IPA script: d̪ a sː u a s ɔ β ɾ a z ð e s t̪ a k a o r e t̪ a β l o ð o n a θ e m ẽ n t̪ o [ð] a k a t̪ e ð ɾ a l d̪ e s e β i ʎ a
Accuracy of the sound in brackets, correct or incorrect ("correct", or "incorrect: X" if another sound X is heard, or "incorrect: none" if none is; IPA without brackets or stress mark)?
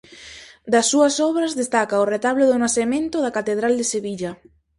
correct